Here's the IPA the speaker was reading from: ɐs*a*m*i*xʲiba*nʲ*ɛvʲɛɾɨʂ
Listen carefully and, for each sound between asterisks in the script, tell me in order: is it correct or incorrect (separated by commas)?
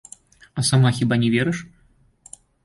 correct, incorrect, correct